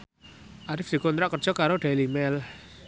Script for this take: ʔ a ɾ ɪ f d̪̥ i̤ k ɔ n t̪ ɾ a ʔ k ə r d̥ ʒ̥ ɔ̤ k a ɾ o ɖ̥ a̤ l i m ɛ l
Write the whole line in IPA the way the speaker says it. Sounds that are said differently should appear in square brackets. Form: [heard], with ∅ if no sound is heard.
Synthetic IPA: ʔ a ɾ ɪ f d̪̥ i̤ k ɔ n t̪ ɾ a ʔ k ə r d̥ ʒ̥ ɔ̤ k a ɾ o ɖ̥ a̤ l i m ɛ l